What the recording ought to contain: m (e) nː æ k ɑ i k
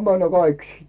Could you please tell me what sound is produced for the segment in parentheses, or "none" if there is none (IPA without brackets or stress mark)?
æ